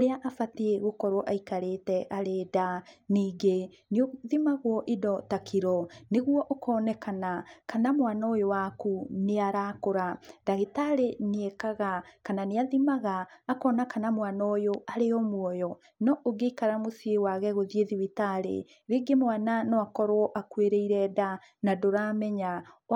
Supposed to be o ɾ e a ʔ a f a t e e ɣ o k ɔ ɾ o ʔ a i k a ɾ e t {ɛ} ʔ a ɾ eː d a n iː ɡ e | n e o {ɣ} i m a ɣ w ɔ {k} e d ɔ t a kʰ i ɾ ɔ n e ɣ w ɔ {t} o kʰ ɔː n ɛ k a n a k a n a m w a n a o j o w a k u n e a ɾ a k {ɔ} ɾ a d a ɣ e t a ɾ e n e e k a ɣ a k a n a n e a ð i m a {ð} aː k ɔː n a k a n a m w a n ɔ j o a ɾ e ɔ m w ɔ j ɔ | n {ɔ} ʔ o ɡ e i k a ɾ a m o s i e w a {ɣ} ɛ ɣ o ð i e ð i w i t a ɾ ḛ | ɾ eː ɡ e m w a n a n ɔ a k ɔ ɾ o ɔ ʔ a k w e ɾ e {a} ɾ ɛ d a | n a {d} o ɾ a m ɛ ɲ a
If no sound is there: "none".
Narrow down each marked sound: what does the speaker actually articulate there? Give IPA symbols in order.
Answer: ɛ, ð, ʔ, ʔ, o, ɣ, ɔ, ɣ, i, d

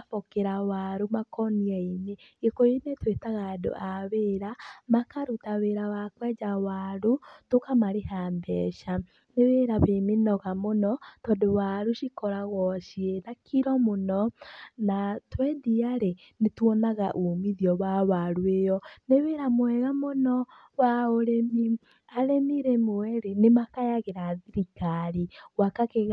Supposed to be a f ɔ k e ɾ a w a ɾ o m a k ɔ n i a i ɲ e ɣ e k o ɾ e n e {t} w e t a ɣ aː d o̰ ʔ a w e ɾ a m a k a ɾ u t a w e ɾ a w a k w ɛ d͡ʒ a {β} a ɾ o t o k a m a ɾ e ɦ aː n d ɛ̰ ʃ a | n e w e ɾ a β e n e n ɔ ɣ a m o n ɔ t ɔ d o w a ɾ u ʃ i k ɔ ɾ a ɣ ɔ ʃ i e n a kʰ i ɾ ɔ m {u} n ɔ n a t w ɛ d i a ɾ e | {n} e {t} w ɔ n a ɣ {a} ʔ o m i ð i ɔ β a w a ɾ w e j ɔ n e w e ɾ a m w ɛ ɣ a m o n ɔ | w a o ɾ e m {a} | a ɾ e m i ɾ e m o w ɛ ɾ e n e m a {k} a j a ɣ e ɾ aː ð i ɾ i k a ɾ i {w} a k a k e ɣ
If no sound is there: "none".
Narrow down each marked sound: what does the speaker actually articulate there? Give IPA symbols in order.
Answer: t, w, o, n, t, a, i, k, w

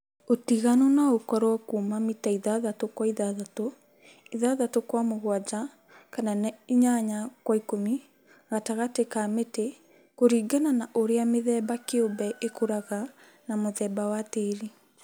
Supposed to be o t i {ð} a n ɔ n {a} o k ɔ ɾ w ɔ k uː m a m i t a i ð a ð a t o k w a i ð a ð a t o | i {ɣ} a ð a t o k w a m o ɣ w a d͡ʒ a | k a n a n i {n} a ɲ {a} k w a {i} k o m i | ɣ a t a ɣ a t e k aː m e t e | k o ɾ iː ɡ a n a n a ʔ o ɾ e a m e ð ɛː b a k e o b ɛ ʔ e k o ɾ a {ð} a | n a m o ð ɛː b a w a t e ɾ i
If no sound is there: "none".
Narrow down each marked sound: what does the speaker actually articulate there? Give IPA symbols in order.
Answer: ɣ, a, ð, ɲ, a, i, ɣ

